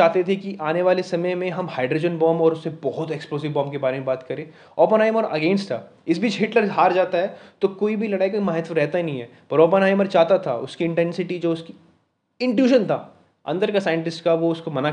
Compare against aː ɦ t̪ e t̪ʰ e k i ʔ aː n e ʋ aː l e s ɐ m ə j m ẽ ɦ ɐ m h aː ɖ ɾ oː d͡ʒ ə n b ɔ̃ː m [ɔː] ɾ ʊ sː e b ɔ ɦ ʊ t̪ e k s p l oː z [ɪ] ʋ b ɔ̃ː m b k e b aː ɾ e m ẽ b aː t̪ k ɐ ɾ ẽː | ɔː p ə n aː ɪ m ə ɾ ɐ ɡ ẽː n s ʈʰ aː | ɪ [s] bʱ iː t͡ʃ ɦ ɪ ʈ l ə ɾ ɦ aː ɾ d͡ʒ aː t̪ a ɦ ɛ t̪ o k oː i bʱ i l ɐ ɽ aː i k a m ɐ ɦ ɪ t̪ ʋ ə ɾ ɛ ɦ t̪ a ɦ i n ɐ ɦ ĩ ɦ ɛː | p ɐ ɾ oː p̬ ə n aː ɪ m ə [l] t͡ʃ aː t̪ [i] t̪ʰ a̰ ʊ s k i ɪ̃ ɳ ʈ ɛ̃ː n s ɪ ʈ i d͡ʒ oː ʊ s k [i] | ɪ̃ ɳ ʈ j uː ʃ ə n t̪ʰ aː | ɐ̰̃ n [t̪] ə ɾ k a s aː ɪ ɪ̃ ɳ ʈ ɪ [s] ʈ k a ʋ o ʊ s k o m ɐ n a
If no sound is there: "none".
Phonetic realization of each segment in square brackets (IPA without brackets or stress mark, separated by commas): ɔː, ɪ, s, ɾ, a, i, d̪, s